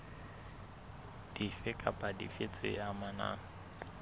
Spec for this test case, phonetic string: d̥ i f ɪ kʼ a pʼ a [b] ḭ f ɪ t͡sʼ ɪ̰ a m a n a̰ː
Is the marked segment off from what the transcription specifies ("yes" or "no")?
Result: yes